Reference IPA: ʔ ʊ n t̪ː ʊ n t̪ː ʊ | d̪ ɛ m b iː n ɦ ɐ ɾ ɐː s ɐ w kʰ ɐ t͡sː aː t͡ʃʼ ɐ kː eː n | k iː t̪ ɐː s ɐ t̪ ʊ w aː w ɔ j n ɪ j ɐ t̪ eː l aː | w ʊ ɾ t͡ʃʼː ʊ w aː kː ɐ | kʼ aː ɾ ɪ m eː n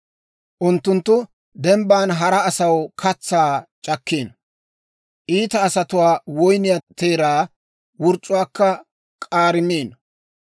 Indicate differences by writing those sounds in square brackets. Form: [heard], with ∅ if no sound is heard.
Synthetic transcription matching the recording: ʔ ʊ n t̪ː ʊ n t̪ː ʊ | d̪ ɛ m b [aː] n ɦ ɐ ɾ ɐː s ɐ w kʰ ɐ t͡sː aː t͡ʃʼ ɐ kː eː n | [ʔ] iː t̪ ɐː s ɐ t̪ ʊ w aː w ɔ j n ɪ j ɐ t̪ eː [ɾ] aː | w ʊ ɾ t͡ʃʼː ʊ w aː kː ɐ | kʼ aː ɾ ɪ m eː n